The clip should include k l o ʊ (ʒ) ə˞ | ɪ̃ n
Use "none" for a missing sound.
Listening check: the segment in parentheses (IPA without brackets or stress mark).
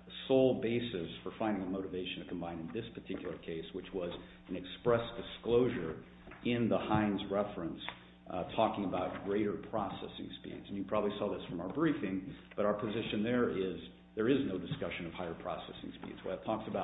ʒ